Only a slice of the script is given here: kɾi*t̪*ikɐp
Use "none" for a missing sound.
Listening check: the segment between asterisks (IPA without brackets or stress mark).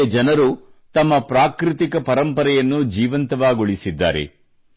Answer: t̪